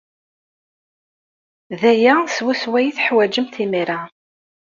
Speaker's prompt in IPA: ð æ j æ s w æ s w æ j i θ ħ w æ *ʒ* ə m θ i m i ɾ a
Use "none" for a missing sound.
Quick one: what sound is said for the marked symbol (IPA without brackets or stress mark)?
d͡ʒ